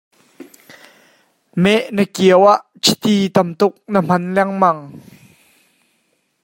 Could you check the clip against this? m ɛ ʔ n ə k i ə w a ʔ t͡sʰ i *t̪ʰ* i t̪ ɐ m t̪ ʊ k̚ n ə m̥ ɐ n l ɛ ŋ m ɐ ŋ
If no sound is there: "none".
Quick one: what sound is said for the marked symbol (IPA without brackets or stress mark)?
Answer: t̪